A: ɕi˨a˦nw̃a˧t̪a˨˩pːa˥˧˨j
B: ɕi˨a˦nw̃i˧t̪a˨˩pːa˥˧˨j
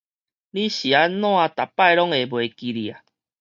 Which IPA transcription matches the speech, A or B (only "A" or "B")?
A